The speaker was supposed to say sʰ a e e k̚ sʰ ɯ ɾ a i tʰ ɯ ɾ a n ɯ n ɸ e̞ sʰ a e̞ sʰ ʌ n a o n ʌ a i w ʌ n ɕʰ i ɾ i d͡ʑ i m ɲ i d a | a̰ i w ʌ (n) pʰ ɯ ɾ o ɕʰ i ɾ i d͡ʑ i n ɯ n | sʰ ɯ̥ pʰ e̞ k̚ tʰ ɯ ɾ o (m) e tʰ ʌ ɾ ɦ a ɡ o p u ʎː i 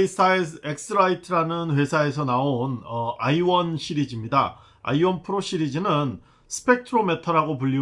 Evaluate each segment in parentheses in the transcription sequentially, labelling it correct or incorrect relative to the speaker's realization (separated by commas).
correct, correct